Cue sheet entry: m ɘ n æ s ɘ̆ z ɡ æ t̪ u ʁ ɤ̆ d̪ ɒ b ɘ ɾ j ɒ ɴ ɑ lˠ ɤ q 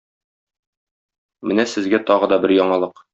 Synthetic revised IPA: m ɘ n æ s ɘ̆ z ɡ æ t̪ ɒ ʁ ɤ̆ d̪ ɒ b ɘ ɾ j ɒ ɴ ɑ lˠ ɤ q

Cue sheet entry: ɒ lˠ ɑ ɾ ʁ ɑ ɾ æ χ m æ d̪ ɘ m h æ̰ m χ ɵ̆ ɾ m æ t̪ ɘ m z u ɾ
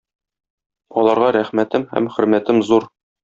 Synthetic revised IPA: ɒ lˠ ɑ ɾ ʁ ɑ ɾ æ χ m æ t̪ ɘ m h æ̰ m χ ɵ̆ ɾ m æ t̪ ɘ m z u ɾ

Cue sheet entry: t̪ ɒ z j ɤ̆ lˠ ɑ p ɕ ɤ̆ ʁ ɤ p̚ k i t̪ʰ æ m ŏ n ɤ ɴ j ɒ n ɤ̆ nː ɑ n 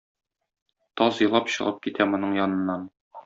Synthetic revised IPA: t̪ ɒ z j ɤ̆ lˠ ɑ p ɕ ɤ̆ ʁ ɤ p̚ k i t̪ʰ æ m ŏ n ɤ ɴ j ɒ n ɤ̆ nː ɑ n

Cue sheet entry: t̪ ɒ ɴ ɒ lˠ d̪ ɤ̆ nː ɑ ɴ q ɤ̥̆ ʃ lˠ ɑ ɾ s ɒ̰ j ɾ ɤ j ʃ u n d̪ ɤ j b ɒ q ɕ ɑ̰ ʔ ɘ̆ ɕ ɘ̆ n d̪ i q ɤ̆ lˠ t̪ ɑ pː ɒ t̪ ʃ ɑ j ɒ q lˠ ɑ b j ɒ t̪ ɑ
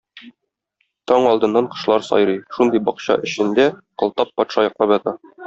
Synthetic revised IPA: t̪ ɒ ɴ ɒ lˠ d̪ ɤ̆ nː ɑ ɴ q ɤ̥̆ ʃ lˠ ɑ ɾ s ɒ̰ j ɾ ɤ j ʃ u n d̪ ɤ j b ɒ q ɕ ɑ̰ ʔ ɘ̆ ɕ ɘ̆ n d̪ æ q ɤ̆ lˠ t̪ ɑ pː ɒ t̪ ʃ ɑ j ɒ q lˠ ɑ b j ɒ t̪ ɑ

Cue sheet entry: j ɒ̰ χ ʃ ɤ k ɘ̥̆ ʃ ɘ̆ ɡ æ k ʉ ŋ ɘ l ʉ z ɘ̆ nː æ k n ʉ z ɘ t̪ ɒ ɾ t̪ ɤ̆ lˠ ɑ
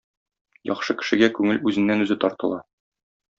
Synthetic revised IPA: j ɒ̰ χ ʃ ɤ k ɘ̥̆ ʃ ɘ̆ ɡ æ k ʉ ŋ ɘ l ʉ z ɘ̆ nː æ n ʉ z ɘ t̪ ɒ ɾ t̪ ɤ̆ lˠ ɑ

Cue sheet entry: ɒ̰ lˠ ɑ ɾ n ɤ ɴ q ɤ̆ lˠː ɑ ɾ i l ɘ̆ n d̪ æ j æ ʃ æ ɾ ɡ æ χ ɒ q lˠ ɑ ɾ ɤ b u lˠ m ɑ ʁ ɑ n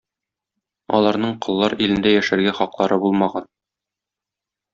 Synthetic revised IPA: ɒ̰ lˠ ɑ ɾ n ɤ ɴ q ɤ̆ lˠː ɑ ɾ i l ɘ̆ n d̪ æ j æ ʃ æ ɾ ɡ æ χ ɒ q lˠ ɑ ɾ ɤ b u lˠ m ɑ ʁ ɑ n

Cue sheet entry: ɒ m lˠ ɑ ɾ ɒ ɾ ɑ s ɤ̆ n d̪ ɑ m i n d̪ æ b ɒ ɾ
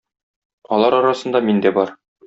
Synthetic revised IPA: ɒ lˠ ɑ ɾ ɒ ɾ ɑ s ɤ̆ n d̪ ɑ m i n d̪ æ b ɒ ɾ

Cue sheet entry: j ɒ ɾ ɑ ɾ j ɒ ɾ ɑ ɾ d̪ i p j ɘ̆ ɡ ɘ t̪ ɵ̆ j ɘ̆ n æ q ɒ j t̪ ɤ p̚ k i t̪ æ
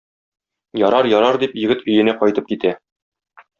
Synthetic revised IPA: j ɒ ɾ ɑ ɾ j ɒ ɾ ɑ ɾ d̪ i p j ɘ̆ ɡ ɘ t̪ ɵ̆ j ɘ̆ n æ q ɒ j t̪ ɤ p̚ k i t̪ æ

